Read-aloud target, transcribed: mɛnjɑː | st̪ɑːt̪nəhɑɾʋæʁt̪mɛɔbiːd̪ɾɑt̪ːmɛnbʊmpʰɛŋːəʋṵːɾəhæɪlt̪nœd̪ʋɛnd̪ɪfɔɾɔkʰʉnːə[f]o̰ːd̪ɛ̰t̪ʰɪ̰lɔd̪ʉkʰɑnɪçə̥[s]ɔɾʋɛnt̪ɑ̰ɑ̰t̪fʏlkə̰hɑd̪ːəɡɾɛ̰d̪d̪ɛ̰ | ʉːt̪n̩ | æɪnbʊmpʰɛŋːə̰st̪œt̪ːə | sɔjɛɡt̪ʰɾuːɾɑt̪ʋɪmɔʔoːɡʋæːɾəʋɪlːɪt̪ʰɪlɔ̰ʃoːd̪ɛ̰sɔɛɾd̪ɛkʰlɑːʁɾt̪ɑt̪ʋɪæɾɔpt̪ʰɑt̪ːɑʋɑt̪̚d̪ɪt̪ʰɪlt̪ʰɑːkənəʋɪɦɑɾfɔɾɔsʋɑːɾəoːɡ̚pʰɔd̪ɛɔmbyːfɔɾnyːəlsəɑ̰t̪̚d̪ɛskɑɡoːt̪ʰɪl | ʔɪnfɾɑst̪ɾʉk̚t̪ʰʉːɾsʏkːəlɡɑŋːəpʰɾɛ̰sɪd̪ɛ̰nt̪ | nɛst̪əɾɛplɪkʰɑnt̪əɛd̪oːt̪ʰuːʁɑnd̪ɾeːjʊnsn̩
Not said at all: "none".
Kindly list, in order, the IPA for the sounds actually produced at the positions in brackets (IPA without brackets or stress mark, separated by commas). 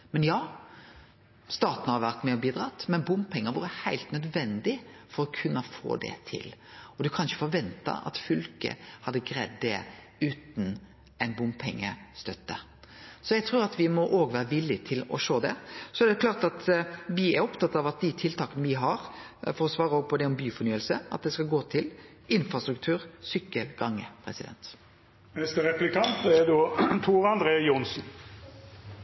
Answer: f, f